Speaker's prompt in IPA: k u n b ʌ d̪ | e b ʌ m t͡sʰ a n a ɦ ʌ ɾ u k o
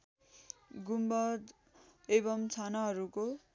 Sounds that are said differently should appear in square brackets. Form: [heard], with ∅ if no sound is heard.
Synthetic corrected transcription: [ɡ] u [m] b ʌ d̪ | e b ʌ m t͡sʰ a n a ɦ ʌ ɾ u k o